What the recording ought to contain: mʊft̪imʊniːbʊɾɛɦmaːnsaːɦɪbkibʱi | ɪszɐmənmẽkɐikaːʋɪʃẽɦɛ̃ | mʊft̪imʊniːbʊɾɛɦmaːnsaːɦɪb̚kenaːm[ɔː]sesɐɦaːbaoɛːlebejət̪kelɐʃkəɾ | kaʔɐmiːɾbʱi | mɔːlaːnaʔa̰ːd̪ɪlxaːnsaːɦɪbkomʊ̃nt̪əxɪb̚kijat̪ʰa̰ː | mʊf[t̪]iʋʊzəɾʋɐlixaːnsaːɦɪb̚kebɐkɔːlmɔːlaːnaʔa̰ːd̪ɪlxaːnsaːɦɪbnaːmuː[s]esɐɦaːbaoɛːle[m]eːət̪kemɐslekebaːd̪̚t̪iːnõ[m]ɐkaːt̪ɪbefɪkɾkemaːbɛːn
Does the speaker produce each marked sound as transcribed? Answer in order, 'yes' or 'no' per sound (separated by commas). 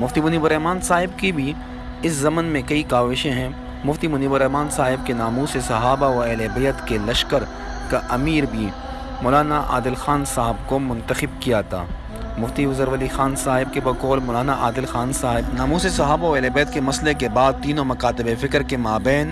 no, yes, yes, no, yes